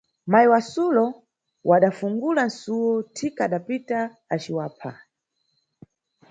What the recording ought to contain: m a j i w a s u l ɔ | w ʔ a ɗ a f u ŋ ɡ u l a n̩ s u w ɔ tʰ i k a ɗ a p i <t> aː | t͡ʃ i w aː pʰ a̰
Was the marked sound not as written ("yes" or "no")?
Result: no